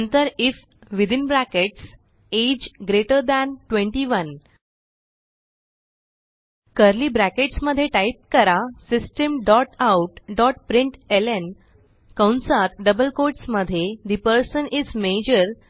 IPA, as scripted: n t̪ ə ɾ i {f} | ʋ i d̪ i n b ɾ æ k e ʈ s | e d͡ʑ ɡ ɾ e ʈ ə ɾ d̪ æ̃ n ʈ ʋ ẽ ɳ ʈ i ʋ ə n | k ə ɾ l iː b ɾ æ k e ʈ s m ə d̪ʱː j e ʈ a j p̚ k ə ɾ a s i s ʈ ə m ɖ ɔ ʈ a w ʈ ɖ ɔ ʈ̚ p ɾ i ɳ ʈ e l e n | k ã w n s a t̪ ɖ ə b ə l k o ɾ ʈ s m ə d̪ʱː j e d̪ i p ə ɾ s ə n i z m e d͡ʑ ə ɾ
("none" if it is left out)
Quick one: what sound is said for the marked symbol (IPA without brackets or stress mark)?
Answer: f